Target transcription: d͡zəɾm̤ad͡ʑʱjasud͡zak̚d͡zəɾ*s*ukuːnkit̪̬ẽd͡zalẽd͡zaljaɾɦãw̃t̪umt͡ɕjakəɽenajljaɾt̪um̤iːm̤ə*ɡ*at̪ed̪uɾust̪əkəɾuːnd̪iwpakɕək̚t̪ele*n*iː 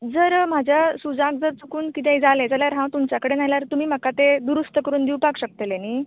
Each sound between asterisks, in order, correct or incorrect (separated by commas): incorrect, incorrect, correct